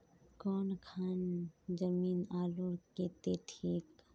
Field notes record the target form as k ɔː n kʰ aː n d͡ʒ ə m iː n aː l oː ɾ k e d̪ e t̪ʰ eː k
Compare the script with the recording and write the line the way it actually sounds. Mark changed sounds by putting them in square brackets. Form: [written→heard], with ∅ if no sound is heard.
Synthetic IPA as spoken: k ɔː n kʰ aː n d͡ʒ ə m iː n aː l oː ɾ k e [d̪→t̪] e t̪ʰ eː k